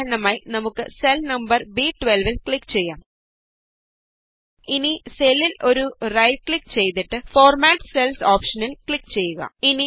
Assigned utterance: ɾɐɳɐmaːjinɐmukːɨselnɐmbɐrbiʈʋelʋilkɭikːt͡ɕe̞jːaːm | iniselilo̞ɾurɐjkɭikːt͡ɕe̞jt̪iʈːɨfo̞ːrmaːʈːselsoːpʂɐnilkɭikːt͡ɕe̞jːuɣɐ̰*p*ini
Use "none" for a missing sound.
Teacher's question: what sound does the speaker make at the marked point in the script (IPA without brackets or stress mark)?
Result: none